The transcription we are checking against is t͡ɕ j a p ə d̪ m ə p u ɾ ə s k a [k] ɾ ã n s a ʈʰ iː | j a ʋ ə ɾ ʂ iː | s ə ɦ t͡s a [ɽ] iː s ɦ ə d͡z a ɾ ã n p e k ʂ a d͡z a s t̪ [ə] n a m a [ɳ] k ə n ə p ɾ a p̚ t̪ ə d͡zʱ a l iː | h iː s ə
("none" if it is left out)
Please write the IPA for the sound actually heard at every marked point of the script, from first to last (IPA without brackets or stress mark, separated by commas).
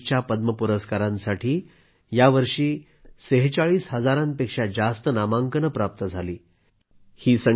none, ɭ, ə, ŋ